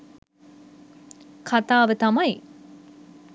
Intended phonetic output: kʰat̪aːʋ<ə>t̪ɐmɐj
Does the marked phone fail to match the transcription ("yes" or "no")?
no